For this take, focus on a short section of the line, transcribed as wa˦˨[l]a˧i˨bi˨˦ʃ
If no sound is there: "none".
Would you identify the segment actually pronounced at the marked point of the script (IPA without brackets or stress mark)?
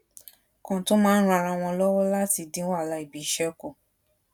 l